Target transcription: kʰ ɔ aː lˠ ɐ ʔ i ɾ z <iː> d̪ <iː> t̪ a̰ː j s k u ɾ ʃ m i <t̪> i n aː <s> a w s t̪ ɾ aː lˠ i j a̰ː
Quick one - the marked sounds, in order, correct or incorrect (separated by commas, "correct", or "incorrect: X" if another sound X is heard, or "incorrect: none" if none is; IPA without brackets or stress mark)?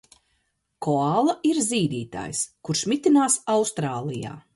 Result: correct, correct, correct, correct